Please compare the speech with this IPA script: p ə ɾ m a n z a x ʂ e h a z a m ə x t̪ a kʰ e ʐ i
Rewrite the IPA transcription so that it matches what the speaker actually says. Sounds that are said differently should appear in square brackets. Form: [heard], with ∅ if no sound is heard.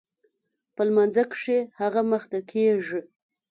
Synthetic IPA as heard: p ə [l] m a n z a [k] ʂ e h a [ɣ] a m ə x t̪ a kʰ e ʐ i